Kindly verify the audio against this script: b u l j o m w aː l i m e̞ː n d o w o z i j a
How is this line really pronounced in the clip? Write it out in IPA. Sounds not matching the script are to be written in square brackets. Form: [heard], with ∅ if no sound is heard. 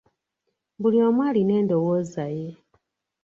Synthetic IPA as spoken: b u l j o m w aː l i [n] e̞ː n d o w o z [a] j [e]